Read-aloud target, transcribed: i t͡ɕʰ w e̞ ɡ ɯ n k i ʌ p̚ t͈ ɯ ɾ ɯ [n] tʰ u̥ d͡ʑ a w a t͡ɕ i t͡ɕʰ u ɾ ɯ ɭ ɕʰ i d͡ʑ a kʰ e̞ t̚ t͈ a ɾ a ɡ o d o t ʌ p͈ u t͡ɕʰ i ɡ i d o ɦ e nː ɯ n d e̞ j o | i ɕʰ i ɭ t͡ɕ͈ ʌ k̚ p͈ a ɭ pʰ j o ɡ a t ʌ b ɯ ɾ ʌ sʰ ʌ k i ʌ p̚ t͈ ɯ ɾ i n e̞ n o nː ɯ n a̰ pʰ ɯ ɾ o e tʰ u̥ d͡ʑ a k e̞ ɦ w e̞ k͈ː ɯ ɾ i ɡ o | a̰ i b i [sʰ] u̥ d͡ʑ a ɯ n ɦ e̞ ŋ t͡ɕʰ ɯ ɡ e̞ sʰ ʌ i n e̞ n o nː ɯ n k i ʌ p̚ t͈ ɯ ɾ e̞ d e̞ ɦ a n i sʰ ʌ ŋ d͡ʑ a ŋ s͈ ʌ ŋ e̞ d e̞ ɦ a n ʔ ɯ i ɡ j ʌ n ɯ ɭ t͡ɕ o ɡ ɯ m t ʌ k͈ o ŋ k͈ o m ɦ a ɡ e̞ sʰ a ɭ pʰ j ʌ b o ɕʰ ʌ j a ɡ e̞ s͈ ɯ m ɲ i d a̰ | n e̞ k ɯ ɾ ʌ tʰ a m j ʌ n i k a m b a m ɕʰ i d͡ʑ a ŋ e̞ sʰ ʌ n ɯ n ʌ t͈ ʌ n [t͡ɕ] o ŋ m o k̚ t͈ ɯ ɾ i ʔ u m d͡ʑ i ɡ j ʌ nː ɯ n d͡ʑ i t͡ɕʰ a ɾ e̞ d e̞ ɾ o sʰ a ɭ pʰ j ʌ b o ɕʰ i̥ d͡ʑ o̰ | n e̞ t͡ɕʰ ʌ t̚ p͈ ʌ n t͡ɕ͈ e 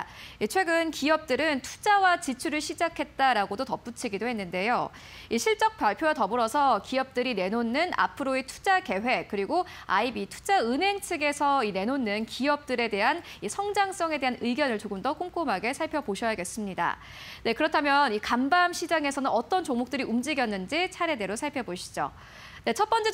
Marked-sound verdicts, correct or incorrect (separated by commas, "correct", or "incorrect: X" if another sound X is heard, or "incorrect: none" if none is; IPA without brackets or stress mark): correct, incorrect: tʰ, correct